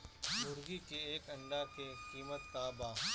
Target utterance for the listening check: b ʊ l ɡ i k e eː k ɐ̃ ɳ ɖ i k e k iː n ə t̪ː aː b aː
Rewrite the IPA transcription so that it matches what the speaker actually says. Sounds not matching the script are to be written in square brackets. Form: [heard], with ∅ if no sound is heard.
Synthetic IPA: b ʊ [ɾ] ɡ i k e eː k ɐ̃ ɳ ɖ [a] k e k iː [m] ə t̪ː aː b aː